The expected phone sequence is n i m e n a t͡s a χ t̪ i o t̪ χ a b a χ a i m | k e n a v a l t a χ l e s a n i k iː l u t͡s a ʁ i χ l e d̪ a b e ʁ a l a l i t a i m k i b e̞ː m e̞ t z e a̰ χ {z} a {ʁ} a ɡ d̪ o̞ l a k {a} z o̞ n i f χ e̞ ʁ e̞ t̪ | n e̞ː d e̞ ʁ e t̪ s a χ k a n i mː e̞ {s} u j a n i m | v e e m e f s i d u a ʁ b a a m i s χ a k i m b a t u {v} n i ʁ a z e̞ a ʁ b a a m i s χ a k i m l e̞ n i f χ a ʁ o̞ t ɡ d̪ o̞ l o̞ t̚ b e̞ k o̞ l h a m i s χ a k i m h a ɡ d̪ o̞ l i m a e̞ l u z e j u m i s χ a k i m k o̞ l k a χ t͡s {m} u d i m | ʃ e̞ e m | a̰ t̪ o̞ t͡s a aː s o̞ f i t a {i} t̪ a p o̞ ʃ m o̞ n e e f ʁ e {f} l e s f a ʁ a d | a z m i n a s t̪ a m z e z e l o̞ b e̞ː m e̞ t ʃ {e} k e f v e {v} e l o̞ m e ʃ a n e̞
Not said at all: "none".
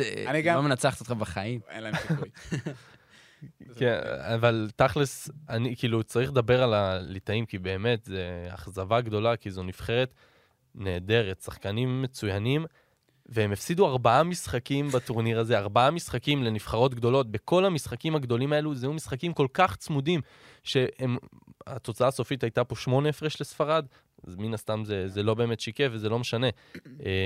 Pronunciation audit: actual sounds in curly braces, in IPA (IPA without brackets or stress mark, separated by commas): z, v, i, t͡s, ʁ, m, j, ʃ, i, z